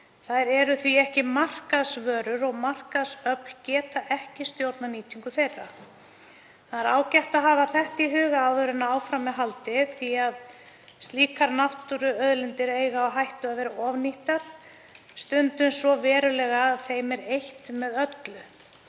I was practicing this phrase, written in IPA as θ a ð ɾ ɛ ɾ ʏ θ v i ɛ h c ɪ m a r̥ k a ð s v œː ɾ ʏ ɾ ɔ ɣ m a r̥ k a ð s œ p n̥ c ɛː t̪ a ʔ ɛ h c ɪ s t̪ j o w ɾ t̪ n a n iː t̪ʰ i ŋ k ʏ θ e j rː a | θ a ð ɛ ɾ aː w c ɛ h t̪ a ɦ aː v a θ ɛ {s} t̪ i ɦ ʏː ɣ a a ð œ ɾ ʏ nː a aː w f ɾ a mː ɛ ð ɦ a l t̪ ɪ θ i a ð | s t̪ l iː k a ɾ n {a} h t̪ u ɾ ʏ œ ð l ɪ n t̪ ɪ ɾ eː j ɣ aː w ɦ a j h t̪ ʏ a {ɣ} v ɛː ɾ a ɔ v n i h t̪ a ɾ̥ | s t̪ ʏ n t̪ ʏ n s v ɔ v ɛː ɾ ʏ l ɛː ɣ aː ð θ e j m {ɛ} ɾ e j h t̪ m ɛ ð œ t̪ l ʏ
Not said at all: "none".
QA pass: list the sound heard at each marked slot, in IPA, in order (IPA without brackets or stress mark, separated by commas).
h, a, ð, ɛ